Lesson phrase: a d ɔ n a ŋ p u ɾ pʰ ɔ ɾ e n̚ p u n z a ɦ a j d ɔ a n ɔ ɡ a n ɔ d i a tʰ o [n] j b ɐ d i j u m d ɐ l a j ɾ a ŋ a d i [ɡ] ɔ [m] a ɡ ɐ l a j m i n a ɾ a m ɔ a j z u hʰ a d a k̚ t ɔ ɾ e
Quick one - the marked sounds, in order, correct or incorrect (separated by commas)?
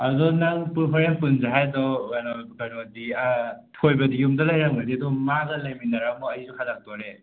incorrect, incorrect, correct